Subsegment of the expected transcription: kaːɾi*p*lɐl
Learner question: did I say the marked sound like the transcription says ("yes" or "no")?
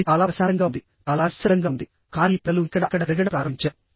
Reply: yes